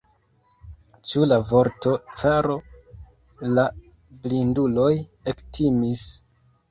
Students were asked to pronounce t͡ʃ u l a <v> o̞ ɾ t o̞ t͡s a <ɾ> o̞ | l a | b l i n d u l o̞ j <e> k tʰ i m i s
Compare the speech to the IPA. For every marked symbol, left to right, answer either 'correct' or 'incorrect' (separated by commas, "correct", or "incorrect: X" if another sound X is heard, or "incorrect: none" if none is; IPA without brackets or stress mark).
correct, correct, correct